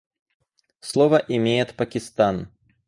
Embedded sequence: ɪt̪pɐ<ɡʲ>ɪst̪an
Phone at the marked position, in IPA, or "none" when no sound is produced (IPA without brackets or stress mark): kʲ